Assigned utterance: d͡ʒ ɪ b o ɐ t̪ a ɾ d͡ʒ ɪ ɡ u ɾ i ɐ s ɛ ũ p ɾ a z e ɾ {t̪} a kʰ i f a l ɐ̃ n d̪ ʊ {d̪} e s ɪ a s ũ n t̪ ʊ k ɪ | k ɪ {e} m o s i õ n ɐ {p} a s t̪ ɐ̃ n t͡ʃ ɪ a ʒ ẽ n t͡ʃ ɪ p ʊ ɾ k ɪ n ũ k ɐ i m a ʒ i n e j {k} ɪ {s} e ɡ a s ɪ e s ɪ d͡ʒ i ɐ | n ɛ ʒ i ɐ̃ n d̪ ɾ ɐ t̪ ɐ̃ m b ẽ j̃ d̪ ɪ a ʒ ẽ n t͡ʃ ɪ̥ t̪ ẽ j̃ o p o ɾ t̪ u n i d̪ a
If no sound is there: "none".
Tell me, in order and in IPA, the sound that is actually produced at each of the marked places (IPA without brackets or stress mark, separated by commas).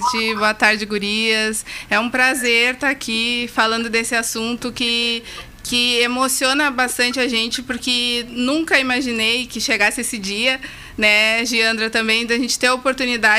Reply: t̪, d̪, e, b, k, ʃ